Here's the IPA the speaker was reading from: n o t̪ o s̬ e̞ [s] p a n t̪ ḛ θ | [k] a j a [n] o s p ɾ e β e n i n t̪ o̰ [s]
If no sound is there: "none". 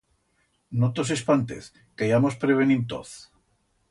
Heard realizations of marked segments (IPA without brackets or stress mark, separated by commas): s, k, m, θ